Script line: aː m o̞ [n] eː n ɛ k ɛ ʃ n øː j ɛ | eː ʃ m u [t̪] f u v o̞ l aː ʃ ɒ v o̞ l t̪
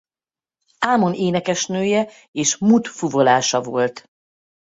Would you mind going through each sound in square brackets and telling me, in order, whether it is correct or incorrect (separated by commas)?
correct, correct